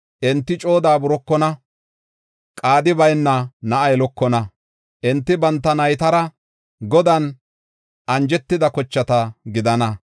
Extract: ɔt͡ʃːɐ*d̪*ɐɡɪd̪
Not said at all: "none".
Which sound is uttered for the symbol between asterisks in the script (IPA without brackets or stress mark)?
t̪